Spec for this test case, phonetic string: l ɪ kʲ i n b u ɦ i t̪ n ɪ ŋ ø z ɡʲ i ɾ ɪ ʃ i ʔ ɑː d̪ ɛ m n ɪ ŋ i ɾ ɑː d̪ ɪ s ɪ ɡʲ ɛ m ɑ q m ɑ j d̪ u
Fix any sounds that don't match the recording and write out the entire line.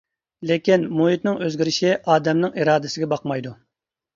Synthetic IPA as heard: l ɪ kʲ i n m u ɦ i t̪ n ɪ ŋ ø z ɡʲ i ɾ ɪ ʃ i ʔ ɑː d̪ ɛ m n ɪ ŋ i ɾ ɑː d̪ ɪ s ɪ ɡʲ ɛ b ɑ q m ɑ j d̪ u